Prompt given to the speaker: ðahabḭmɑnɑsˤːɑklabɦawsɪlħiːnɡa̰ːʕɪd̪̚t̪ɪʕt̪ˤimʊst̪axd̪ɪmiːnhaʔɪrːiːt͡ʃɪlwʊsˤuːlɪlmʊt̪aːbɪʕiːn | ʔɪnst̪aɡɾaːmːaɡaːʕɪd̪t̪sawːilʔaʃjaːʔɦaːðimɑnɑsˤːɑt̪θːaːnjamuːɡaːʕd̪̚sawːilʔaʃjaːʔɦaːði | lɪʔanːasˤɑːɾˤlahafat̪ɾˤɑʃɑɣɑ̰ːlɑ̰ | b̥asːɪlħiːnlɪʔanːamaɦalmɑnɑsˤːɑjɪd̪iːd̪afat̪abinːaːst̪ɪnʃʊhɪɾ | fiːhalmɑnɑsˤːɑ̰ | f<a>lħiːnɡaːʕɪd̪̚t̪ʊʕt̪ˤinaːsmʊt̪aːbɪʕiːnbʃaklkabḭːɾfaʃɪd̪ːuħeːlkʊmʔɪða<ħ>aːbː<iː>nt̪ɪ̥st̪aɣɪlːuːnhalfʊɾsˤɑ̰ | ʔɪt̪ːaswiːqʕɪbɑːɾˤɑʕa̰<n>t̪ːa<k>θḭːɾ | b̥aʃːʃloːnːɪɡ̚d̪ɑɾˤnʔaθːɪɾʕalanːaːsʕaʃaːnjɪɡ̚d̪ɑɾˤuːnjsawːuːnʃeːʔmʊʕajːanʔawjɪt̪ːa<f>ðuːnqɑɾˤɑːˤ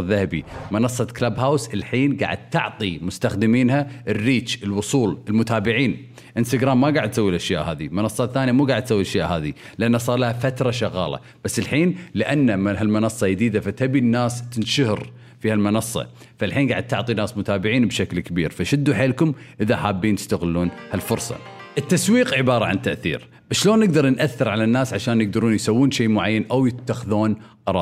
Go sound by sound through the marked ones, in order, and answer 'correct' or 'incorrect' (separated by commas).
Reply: correct, correct, correct, correct, incorrect, incorrect